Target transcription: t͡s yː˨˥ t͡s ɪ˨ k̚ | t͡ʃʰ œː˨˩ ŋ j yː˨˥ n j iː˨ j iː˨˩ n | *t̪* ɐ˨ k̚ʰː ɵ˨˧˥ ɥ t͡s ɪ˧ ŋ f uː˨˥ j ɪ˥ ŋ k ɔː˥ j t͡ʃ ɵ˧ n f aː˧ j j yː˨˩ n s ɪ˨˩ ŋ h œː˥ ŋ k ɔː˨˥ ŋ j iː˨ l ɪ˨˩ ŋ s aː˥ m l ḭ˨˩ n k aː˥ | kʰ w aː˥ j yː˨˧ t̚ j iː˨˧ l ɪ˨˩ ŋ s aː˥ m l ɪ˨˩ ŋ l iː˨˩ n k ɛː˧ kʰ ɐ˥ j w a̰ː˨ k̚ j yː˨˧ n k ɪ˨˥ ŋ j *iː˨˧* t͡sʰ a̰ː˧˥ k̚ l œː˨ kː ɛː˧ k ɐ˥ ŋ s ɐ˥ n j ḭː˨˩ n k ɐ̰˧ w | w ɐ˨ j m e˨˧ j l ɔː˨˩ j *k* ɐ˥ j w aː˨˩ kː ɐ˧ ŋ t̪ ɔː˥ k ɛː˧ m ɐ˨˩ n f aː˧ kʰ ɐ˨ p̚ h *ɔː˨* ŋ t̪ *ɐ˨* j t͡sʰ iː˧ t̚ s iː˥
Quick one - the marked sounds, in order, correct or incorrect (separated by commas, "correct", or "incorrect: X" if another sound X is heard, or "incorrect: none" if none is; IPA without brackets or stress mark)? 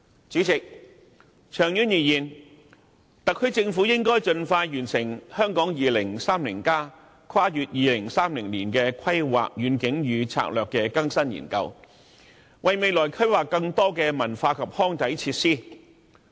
correct, incorrect: yː˨˧, incorrect: kʰ, incorrect: ɔː˥, incorrect: ɐ˨˥